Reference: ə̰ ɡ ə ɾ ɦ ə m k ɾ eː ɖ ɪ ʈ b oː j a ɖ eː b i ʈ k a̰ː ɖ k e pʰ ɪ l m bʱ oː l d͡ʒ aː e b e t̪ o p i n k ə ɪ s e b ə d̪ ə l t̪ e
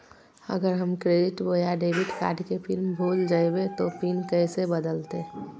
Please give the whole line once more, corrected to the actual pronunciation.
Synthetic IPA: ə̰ ɡ ə ɾ ɦ ə m k ɾ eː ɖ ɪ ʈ b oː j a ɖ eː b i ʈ k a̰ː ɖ k e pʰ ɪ l m bʱ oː l d͡ʒ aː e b e t̪ o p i n k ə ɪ s e b ə d̪ ə l t̪ e